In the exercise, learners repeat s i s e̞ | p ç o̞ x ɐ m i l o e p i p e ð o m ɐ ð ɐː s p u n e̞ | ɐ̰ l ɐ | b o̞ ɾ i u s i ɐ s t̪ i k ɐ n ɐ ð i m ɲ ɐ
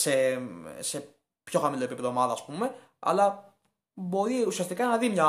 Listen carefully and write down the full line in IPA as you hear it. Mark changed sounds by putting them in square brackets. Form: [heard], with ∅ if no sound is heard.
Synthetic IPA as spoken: s [e] s e̞ | p ç o̞ x ɐ m i l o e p i p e ð o m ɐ ð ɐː s p u [m] e̞ | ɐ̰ l ɐ | b o̞ ɾ i u s i ɐ s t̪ i k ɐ n ɐ ð i m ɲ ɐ